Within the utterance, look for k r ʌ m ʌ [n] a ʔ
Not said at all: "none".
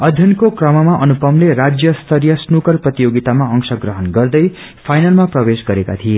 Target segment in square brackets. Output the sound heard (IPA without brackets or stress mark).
m